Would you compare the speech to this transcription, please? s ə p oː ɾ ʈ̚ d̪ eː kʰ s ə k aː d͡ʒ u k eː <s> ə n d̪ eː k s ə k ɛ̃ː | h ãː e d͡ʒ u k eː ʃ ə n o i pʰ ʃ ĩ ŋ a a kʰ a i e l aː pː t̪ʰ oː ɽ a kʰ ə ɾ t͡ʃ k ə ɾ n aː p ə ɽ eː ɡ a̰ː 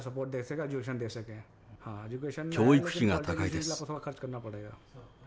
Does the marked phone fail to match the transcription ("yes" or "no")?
yes